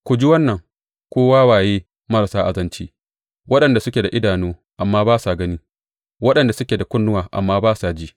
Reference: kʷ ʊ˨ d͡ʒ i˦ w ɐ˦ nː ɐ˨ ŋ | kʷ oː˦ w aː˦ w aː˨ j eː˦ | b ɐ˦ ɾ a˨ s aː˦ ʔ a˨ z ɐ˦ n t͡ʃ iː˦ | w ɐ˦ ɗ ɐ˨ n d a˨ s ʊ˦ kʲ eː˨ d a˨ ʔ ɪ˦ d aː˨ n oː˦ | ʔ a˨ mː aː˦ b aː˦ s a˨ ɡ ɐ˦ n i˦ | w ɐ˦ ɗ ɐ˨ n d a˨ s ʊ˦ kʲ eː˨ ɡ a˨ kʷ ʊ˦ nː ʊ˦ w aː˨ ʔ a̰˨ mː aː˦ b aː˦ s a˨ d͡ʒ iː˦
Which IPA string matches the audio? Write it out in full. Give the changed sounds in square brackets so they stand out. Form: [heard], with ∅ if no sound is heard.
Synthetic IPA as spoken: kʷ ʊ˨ d͡ʒ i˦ w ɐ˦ nː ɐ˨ ŋ | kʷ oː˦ w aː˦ w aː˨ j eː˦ | [m] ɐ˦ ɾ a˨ s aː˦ ʔ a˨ z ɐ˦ n t͡ʃ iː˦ | w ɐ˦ ɗ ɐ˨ n d a˨ s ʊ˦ kʲ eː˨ d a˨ ʔ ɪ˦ d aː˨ n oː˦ | ʔ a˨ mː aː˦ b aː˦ s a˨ ɡ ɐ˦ n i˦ | w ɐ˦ ɗ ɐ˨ n d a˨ s ʊ˦ kʲ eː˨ [d] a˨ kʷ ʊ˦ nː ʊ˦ w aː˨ ʔ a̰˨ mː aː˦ b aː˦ s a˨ d͡ʒ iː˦